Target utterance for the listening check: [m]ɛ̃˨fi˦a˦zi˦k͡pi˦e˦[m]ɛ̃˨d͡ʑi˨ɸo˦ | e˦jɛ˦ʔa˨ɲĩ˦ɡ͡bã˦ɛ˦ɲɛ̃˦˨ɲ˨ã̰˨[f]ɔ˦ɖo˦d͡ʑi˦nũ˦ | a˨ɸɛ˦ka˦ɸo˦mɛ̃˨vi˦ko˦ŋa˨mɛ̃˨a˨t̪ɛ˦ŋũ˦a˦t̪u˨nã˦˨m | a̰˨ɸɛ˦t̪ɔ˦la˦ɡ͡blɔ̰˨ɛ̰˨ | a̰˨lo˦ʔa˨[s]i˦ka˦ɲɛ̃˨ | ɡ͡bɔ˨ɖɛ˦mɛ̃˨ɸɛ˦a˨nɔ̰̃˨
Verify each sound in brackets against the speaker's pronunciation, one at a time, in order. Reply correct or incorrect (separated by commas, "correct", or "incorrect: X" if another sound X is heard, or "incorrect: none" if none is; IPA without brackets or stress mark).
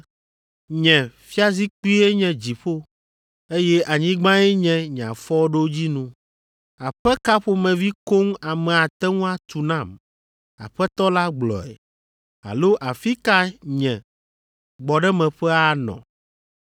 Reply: incorrect: ɲ, incorrect: ɲ, correct, incorrect: f